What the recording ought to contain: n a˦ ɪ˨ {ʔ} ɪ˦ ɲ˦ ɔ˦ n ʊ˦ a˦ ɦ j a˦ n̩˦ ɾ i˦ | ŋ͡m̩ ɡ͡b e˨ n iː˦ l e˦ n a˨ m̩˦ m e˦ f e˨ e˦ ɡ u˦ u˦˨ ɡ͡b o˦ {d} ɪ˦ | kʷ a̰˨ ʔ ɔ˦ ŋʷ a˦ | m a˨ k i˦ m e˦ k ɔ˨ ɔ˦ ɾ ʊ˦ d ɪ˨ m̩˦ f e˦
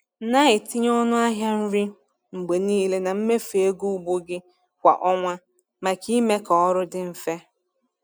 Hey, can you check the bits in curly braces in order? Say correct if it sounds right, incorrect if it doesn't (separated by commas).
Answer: incorrect, incorrect